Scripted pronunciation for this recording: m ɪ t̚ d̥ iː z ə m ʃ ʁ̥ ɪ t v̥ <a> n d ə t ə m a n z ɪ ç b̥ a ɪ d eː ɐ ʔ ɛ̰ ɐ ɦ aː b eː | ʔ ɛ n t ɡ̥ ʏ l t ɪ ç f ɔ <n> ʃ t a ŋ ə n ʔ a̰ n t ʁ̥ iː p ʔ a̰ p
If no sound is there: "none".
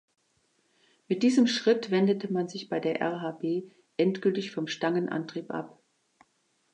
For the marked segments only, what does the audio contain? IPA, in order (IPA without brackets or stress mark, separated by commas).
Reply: ɛ, m